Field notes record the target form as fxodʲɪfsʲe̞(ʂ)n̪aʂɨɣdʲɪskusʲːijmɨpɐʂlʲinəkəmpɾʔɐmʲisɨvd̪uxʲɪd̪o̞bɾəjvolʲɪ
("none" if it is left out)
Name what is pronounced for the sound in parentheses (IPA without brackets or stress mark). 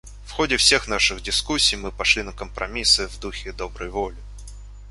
x